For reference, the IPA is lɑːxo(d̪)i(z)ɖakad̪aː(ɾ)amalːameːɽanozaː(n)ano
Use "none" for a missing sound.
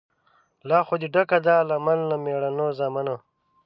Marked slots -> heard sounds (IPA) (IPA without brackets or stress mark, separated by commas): d̪, none, l, m